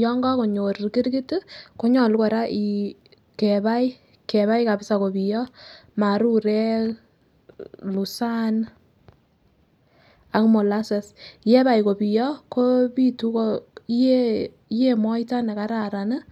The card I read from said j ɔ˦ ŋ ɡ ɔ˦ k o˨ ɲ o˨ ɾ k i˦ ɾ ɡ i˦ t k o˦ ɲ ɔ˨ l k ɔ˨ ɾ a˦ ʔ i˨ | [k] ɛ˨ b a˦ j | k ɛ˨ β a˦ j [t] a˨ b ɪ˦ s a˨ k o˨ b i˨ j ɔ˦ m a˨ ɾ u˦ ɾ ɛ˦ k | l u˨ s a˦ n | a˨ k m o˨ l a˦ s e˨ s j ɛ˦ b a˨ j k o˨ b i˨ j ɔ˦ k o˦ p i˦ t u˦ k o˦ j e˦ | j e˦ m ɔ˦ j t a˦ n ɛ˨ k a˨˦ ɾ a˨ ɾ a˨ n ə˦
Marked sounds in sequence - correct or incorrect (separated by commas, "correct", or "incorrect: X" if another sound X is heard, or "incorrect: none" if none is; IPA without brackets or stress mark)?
correct, incorrect: k